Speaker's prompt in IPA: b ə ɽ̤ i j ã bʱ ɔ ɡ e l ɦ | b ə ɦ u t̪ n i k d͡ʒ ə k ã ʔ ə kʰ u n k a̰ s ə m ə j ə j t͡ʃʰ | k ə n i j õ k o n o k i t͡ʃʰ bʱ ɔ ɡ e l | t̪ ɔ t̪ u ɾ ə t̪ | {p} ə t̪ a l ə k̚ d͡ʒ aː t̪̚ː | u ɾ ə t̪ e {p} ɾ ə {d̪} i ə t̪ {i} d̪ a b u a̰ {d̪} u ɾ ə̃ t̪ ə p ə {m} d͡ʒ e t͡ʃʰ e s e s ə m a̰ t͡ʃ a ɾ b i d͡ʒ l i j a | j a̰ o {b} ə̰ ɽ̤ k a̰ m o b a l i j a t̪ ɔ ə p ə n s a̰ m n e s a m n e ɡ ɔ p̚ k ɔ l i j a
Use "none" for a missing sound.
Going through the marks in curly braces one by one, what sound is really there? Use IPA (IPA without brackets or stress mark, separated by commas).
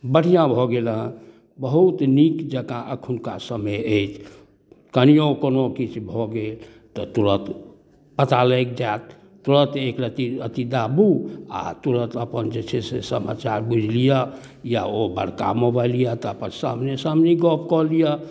p, k, t̪, i, t̪, n, b